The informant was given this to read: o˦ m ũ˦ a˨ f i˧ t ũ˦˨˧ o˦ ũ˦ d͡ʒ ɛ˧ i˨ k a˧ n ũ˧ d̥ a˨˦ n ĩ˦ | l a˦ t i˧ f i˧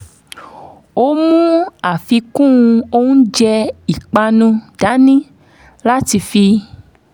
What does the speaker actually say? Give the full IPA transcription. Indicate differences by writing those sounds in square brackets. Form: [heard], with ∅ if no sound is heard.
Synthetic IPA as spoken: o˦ m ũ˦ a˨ f i˧ [k] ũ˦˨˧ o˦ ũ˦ d͡ʒ ɛ˧ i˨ [k͡p] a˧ n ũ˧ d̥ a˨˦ n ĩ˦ | l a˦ t i˧ f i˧